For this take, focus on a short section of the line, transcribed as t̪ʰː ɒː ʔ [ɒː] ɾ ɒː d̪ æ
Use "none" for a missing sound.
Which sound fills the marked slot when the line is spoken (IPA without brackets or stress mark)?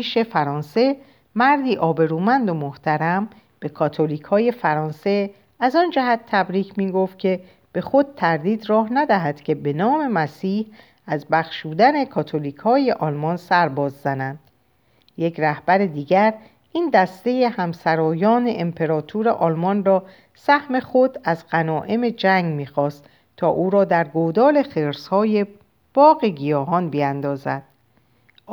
uː